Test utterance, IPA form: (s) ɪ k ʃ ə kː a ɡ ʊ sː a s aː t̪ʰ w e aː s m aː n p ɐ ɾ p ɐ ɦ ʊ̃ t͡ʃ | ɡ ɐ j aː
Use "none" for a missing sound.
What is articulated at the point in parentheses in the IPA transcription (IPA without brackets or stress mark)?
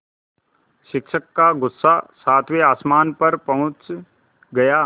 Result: ʃ